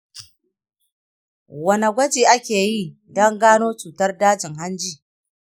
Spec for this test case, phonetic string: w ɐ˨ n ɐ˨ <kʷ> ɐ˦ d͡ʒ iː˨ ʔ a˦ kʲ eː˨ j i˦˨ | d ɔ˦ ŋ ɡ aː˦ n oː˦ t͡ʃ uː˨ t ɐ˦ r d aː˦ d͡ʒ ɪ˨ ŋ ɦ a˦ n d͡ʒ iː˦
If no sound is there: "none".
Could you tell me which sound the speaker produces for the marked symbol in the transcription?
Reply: ɡʷ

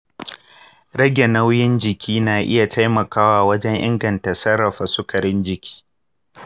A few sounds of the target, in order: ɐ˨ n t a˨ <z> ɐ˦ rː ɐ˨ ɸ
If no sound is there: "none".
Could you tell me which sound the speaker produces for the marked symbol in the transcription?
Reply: s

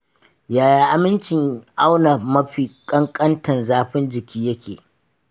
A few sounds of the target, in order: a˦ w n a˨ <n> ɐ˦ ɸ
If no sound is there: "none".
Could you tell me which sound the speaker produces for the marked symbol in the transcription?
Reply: m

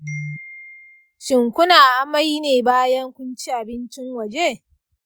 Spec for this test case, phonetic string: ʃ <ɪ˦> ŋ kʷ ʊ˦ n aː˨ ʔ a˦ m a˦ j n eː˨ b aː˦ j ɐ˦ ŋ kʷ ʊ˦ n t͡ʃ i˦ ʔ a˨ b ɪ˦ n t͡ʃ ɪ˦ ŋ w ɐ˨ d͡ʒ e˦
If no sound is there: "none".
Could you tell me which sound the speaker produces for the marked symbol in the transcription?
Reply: ɪ˨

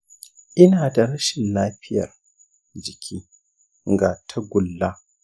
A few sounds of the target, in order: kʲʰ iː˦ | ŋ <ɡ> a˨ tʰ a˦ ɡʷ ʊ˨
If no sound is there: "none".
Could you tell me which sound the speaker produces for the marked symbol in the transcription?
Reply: ɡ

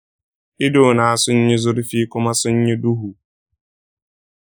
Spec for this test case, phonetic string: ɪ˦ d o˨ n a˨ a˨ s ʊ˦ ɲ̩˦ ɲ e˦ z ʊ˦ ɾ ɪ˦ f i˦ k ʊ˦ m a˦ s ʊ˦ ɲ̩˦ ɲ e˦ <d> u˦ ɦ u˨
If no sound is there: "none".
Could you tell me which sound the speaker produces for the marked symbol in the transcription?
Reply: d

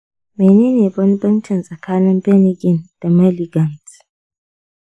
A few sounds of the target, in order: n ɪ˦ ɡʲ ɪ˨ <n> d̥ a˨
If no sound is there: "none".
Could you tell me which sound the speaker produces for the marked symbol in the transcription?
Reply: n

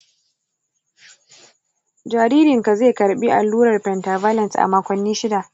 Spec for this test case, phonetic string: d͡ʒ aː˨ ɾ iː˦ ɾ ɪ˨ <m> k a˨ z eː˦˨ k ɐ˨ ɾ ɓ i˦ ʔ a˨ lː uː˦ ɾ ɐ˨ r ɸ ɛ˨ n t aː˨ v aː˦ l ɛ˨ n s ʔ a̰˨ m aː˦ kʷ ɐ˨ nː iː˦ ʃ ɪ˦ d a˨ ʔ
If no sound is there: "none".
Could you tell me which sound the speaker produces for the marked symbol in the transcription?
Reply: ŋ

